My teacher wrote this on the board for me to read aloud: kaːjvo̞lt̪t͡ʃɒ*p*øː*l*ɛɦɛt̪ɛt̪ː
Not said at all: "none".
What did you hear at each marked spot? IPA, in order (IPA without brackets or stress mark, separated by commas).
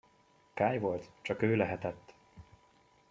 k, l